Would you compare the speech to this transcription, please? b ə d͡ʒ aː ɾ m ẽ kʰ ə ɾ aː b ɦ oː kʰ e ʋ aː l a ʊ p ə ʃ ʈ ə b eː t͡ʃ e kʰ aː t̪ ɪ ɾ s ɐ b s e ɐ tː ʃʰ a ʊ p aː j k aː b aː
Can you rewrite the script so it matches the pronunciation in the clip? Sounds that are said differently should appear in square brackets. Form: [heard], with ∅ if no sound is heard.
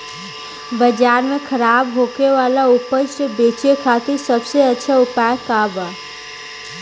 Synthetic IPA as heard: b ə d͡ʒ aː ɾ m ẽ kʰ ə ɾ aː b ɦ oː [k] e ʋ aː l a ʊ p ə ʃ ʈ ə b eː t͡ʃ e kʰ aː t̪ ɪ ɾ s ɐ b s e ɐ tː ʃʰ a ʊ p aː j k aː b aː